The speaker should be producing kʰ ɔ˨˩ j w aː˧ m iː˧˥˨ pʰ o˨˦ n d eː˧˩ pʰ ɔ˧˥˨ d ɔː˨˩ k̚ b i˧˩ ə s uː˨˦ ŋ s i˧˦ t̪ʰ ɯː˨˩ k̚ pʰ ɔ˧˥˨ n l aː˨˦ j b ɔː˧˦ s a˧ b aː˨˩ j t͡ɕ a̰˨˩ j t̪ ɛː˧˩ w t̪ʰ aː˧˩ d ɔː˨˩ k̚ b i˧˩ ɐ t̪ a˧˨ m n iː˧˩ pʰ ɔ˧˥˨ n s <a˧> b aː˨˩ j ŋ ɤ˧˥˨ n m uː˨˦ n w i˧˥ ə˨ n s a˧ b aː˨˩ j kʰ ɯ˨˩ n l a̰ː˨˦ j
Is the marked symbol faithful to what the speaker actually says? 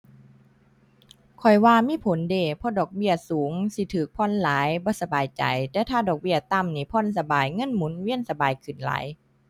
yes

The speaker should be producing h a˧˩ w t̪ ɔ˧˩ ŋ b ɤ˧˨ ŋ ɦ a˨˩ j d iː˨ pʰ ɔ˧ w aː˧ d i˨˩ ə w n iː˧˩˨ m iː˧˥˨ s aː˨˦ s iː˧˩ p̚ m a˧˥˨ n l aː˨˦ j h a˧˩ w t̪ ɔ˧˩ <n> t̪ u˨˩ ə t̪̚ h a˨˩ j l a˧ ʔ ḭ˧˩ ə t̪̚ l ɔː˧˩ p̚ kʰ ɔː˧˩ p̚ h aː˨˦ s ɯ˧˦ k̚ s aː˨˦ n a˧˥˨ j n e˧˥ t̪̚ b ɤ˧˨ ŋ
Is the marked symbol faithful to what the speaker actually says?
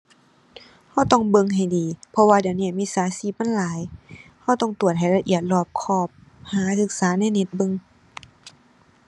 no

